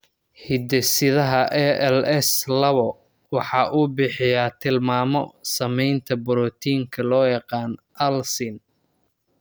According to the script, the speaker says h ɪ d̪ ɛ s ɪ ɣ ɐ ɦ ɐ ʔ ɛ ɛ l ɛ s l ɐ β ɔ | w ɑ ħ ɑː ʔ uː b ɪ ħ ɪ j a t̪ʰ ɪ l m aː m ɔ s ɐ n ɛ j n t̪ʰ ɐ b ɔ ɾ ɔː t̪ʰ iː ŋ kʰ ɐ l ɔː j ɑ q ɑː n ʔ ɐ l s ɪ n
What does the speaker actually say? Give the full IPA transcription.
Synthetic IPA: h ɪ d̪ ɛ s ɪ ð ɐ ɦ ɐ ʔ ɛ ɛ l ɛ s l ɐ β ɔ | w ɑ ħ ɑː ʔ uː b ɪ ħ ɪ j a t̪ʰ ɪ l m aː m ɔ s ɐ m ɛ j n t̪ʰ ɐ b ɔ ɾ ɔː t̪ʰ iː ŋ kʰ ɐ l ɔː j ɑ q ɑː n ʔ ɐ l s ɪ n